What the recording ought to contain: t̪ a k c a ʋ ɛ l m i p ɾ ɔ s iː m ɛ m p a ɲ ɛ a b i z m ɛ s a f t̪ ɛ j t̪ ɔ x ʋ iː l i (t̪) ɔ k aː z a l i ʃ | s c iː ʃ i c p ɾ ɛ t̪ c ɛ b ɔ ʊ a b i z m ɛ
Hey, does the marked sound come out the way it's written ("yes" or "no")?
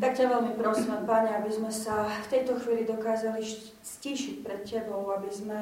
no